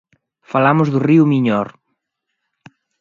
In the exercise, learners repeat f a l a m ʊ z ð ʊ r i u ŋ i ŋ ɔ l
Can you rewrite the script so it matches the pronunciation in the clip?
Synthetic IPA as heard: f a l a m ʊ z ð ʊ r i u m i ɲ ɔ ɾ